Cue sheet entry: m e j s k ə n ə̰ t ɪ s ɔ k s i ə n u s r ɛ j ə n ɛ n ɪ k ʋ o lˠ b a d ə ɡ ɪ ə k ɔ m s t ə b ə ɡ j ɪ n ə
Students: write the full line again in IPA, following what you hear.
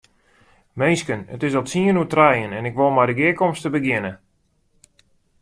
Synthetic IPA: m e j s k ə n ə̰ t ɪ s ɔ t s i ə n u t r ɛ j ə n ɛ n ɪ k ʋ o lˠ m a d ə ɡ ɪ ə k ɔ m s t ə b ə ɡ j ɪ n ə